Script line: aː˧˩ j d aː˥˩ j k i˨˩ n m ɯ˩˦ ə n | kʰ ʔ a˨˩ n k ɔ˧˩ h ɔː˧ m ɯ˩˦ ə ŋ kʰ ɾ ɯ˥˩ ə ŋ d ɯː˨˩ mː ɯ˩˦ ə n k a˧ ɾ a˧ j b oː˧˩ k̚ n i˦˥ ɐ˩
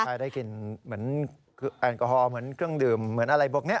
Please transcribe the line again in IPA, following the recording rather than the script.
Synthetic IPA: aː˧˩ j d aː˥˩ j k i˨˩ n m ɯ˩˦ ə n | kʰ ʔ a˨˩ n k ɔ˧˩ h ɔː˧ m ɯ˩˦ ə n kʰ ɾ ɯ˥˩ ə ŋ d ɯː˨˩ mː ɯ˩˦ ə n ʔ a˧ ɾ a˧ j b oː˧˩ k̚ n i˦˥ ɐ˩